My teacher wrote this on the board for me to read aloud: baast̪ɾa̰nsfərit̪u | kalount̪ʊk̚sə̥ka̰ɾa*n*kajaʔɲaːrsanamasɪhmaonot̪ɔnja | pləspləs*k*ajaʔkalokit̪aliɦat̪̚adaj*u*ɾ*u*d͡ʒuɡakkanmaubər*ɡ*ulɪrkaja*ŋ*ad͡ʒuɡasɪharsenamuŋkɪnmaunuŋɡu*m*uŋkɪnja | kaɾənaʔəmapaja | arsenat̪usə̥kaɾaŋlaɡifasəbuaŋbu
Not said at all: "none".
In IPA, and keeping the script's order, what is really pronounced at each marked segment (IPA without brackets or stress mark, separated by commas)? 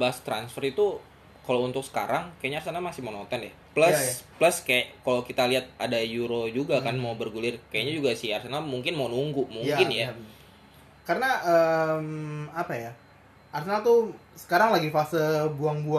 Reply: ŋ, k, u, o, ɡ, ɲ, m